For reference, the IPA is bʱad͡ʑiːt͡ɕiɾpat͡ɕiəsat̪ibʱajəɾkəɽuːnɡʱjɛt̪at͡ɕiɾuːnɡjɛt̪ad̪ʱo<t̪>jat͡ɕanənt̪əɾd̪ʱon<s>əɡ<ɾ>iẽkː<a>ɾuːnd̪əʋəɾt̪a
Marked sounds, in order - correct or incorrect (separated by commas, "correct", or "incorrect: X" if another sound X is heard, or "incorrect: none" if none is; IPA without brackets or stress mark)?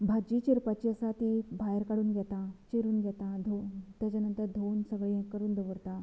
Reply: correct, correct, incorrect: ɭ, incorrect: ə